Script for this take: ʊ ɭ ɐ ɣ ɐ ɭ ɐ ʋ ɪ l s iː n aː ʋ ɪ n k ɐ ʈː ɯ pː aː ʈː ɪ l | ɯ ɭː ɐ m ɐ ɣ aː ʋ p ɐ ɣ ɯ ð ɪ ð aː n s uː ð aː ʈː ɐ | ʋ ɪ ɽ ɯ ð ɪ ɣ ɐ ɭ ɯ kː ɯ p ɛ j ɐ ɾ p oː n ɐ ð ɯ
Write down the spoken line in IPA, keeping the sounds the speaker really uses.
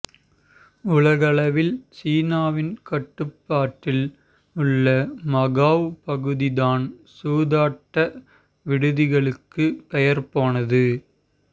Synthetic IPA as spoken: ʊ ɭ ɐ ɣ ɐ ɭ ɐ ʋ ɪ l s iː n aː ʋ ɪ n k ɐ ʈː ɯ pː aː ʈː ɪ l | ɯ ɭː ɐ m ɐ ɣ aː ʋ p ɐ ɣ ɯ ð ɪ ð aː n s uː ð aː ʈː ɐ | ʋ ɪ ɽ ɯ ð ɪ ɣ ɐ ɭ ɯ kː ɯ p ɛ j ɐ ɾ p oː n ɐ ð ɯ